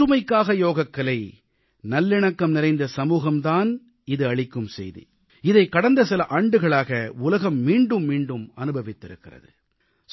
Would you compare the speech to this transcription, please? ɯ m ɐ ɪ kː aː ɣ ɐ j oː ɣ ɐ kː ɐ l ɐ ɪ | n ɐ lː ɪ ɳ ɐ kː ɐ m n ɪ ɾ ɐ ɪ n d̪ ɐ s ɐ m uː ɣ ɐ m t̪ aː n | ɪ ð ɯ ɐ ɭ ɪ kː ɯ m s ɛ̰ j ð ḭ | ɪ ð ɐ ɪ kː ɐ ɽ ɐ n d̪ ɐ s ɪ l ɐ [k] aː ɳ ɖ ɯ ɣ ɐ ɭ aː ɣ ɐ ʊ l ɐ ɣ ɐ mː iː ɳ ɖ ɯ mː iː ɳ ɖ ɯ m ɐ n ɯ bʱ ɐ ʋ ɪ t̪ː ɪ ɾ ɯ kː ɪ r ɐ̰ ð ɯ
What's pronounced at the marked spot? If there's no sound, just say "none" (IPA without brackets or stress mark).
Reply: ʔ